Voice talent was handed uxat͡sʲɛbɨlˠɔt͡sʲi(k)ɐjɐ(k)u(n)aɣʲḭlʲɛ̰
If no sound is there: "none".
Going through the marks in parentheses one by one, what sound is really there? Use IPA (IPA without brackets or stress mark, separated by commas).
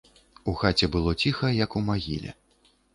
x, k, m